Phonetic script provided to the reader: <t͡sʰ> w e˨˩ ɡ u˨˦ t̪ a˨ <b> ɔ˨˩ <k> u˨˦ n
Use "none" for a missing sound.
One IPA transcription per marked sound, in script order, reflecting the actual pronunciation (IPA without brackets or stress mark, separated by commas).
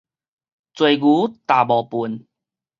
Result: t͡s, b, p